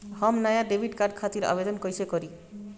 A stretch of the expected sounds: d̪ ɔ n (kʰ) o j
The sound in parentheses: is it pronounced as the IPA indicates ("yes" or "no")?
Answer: no